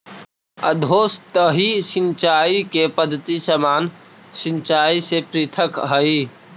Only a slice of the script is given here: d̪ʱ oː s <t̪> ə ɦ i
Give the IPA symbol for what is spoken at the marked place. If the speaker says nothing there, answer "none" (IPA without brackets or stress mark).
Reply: t̪